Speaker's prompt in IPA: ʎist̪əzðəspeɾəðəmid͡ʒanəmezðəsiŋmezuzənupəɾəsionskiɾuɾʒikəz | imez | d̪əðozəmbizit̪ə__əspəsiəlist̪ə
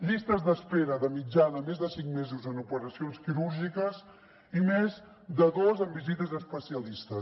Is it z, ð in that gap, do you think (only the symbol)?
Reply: z